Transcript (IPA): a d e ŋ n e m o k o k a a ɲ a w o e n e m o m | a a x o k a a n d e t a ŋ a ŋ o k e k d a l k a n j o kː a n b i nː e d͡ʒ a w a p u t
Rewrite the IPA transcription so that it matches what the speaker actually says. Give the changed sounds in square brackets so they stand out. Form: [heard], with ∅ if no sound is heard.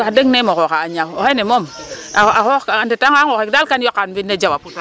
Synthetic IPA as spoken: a d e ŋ n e m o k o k a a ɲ a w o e n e m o m | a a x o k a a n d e t a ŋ a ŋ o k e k d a l k a n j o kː a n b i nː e d͡ʒ a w a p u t